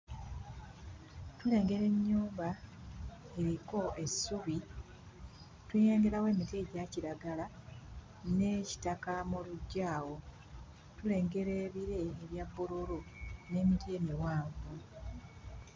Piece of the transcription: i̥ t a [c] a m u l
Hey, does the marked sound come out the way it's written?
no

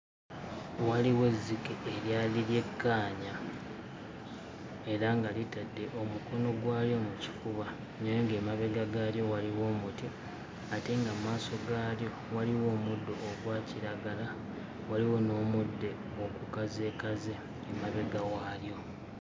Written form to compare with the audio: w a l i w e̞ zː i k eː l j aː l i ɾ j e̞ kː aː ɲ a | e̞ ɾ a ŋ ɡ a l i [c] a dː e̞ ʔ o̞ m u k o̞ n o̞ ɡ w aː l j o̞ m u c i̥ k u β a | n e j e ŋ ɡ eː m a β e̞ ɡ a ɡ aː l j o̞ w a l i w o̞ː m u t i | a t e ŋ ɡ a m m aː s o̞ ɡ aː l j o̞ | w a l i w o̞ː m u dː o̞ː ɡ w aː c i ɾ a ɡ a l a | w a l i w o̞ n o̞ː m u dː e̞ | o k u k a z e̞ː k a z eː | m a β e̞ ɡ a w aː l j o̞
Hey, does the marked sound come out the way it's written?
no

